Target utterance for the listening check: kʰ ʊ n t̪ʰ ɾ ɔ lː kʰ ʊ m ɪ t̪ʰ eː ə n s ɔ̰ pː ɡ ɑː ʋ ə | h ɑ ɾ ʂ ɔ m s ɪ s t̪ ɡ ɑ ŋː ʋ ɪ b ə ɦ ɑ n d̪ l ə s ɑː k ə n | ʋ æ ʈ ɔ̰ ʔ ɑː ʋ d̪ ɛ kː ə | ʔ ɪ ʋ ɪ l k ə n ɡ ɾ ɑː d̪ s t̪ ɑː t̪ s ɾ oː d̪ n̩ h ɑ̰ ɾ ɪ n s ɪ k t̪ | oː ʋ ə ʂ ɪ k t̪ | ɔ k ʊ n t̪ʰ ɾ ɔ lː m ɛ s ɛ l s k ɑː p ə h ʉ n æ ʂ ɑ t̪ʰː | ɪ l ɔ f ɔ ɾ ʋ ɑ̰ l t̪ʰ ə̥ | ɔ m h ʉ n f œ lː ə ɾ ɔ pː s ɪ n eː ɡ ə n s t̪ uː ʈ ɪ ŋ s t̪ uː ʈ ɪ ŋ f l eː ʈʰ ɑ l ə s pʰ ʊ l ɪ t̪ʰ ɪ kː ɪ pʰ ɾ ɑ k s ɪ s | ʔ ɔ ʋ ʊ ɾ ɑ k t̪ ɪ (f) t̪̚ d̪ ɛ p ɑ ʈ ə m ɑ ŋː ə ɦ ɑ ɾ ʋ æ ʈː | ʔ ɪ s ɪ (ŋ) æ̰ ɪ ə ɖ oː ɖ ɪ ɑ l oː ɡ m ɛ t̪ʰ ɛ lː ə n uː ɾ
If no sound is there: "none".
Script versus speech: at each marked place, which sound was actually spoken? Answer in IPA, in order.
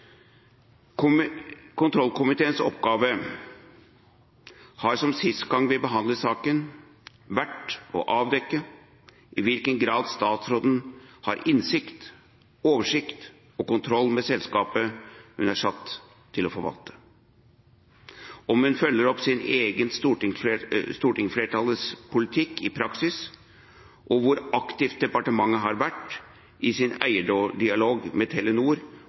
f, n

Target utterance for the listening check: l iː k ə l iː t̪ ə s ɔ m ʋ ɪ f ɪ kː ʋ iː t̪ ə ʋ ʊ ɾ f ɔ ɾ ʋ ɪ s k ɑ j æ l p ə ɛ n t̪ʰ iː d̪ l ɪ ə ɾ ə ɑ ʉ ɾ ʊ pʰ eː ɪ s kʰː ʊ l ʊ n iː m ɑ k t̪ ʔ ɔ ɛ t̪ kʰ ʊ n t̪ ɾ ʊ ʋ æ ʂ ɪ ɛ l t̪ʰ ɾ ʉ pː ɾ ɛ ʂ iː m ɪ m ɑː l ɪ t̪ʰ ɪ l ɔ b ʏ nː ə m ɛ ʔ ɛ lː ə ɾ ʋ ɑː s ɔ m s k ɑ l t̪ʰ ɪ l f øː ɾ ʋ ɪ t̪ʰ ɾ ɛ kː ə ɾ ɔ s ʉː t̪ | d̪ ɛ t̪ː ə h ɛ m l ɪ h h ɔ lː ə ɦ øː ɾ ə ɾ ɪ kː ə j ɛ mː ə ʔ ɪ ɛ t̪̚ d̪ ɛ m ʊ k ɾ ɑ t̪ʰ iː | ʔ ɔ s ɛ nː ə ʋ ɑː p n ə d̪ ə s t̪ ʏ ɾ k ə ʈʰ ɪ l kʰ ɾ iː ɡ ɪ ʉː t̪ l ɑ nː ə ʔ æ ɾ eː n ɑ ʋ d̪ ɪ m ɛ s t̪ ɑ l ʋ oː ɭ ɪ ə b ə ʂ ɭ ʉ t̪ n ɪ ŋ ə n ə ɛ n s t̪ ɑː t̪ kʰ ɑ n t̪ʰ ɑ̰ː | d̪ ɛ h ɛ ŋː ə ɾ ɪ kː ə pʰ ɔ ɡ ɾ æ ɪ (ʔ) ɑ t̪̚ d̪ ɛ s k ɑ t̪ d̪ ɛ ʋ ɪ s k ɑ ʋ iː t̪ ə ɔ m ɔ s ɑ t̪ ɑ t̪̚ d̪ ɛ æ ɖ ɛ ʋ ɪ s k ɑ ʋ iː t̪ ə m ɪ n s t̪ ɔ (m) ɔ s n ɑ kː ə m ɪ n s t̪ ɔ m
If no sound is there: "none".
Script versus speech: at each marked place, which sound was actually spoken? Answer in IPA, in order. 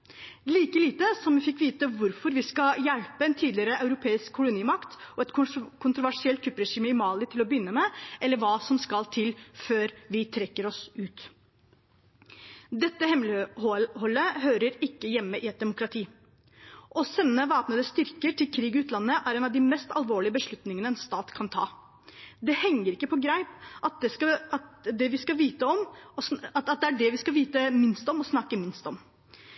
p, m

